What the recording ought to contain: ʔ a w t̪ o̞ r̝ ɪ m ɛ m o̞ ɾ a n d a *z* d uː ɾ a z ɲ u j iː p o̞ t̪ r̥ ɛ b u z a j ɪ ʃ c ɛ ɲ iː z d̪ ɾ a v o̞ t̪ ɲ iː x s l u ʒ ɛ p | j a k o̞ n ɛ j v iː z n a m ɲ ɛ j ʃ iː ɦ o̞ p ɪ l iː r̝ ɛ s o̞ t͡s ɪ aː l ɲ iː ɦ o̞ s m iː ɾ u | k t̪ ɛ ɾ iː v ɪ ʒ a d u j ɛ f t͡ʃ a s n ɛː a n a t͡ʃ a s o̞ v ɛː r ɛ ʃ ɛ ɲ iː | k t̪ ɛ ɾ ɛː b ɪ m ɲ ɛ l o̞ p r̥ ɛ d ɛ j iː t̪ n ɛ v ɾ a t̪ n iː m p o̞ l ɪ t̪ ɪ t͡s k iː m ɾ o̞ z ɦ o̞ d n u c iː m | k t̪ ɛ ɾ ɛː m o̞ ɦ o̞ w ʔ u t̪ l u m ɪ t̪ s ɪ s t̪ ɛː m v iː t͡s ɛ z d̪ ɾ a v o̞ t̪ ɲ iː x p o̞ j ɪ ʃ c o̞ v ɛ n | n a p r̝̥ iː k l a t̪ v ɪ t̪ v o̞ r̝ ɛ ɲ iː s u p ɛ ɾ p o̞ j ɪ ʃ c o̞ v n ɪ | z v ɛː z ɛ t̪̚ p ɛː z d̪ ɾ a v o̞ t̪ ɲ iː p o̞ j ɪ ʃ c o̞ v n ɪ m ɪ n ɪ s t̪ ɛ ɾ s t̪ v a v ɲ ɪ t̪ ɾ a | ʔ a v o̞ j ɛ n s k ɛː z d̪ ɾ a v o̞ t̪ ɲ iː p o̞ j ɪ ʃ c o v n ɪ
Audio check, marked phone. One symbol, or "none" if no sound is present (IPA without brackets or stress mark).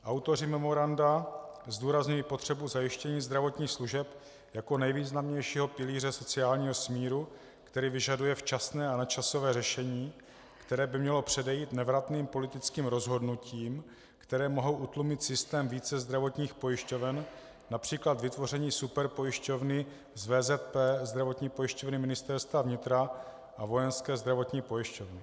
z